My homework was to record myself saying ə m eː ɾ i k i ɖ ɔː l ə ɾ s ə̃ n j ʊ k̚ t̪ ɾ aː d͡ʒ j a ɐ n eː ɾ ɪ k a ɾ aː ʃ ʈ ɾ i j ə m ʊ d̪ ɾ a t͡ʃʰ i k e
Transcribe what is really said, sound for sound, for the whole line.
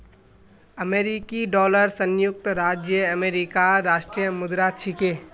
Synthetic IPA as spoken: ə m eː ɾ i k i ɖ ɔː l ə ɾ s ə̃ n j ʊ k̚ t̪ ɾ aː d͡ʒ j ə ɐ m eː ɾ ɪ k a ɾ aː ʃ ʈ ɾ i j ə m ʊ d̪ ɾ a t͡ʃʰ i k e